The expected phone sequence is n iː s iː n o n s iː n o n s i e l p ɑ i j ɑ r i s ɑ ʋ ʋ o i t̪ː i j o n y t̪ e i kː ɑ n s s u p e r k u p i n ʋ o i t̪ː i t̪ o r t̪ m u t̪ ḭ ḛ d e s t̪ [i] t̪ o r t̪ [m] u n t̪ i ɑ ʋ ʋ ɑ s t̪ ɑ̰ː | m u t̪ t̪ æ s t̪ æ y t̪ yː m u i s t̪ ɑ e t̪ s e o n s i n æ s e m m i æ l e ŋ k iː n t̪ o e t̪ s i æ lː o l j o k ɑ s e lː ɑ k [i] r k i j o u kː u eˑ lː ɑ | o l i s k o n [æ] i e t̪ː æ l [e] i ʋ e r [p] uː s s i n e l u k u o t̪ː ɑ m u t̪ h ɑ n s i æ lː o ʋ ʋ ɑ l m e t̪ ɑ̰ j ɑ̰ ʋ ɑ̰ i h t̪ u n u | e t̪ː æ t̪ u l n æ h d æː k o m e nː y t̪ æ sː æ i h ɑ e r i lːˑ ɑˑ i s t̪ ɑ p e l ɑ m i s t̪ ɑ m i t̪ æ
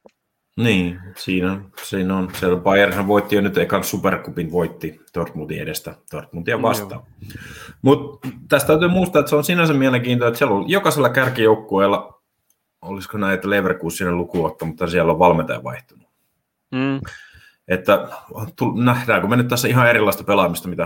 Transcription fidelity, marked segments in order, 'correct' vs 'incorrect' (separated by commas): incorrect, correct, incorrect, correct, correct, incorrect